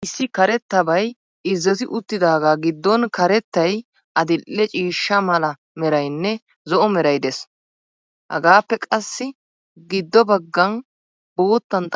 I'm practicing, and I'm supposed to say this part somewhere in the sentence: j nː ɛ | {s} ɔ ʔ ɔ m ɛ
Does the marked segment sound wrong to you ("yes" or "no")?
yes